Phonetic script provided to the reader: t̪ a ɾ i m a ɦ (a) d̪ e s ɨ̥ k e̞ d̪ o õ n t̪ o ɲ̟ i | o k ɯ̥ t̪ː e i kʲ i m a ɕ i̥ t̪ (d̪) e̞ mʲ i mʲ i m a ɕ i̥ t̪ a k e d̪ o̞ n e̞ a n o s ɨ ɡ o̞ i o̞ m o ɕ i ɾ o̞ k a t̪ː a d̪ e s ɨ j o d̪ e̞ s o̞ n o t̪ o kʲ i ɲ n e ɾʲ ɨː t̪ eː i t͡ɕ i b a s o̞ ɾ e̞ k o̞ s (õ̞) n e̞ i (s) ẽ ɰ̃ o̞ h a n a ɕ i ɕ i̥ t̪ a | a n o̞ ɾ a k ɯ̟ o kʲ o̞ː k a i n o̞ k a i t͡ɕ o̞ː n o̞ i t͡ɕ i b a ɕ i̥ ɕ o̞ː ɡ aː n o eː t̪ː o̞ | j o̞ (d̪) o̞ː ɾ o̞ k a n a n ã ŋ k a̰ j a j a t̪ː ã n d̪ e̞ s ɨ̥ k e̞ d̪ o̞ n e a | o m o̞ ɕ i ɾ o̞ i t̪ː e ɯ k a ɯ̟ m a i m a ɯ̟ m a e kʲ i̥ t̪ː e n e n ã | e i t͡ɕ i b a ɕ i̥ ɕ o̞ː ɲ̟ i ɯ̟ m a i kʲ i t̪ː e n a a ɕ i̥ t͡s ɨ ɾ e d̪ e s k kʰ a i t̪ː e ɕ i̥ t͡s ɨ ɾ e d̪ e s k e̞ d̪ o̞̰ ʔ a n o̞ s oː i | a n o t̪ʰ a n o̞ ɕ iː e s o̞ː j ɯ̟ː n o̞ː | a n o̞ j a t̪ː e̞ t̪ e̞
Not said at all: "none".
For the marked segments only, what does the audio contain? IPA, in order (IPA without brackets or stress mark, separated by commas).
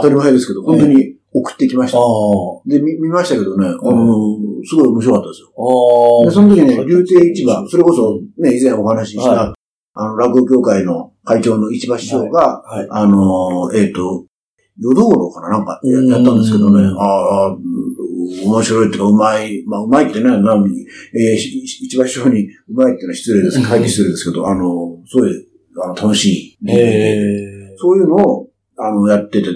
e, d̪, o̞, z, d̪